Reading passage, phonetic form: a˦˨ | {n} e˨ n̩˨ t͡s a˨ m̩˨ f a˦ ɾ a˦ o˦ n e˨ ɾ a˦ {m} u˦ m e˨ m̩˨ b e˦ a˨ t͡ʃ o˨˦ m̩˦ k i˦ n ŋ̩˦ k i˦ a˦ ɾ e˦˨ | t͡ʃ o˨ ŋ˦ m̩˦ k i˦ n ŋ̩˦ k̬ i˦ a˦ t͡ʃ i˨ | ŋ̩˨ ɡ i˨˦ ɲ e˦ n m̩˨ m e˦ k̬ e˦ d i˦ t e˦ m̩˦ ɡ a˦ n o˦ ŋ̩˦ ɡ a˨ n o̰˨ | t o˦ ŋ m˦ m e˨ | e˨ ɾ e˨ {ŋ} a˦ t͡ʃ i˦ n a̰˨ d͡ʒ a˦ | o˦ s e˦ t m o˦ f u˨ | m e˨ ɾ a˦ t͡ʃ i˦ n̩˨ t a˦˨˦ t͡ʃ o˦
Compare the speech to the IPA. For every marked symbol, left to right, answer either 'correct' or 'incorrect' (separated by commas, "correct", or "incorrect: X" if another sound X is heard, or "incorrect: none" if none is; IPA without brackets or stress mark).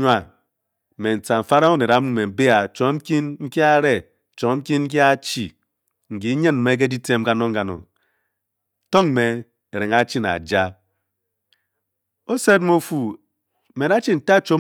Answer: incorrect: m, correct, correct